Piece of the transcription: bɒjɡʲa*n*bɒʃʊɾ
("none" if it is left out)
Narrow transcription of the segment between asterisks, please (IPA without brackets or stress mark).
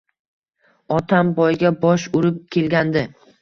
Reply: none